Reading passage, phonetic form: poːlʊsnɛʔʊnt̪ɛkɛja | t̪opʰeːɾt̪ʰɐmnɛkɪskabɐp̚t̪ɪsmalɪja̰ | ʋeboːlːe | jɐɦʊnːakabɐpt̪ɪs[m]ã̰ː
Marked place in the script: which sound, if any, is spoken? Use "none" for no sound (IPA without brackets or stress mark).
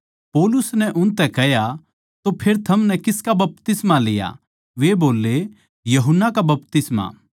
m